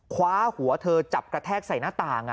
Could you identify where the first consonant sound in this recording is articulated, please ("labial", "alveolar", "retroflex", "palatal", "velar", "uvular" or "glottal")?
velar